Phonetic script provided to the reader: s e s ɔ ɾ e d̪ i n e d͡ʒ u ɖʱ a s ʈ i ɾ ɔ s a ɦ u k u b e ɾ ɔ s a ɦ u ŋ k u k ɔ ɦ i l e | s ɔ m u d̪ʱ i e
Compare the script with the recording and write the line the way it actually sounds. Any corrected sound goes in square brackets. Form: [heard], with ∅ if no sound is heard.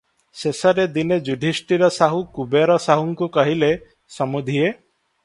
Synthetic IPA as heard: s e s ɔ ɾ e d̪ i n e d͡ʒ u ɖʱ [i] s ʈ i ɾ ɔ s a ɦ u k u b e ɾ ɔ s a ɦ u ŋ k u k ɔ ɦ i l e | s ɔ m u d̪ʱ i e